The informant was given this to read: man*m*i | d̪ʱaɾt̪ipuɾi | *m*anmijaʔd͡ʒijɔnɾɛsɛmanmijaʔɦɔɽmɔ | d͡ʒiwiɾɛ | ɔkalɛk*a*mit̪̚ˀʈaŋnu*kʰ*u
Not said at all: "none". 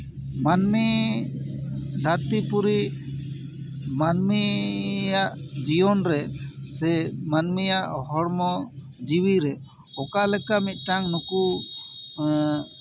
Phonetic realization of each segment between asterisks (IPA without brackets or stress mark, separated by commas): m, m, a, k